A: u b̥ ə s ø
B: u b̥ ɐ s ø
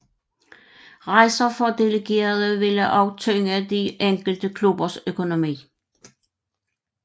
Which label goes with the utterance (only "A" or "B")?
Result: B